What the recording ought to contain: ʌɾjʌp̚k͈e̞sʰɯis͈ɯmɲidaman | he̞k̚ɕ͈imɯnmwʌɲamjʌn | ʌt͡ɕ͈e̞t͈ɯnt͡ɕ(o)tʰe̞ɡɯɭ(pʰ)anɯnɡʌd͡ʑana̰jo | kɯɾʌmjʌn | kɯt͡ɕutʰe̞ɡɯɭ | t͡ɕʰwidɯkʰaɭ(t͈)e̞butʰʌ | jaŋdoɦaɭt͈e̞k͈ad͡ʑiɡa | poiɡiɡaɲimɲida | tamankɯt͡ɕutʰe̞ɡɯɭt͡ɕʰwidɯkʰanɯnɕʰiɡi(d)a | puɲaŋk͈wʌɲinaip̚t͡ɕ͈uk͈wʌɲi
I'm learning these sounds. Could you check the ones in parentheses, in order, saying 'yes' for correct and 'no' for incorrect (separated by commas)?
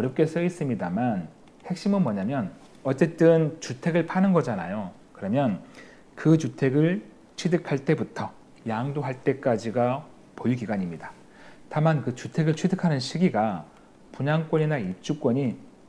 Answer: no, yes, yes, no